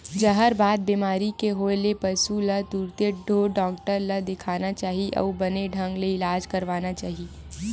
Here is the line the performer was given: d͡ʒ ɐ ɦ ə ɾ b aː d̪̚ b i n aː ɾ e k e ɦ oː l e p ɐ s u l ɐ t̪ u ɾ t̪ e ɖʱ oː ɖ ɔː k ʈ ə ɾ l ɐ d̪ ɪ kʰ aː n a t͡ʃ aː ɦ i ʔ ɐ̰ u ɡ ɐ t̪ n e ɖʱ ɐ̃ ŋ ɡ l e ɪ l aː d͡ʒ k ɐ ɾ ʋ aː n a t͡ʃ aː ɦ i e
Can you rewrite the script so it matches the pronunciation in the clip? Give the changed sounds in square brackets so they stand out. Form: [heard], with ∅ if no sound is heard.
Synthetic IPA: d͡ʒ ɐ ɦ ə ɾ b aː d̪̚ b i [m] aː ɾ [i] k e ɦ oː l e p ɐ s u l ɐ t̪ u ɾ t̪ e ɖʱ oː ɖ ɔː k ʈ ə ɾ l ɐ d̪ ɪ kʰ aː n a t͡ʃ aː ɦ i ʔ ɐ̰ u [b] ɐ [∅] n e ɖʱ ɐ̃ ŋ ɡ l e ɪ l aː d͡ʒ k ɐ ɾ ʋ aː n a t͡ʃ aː ɦ i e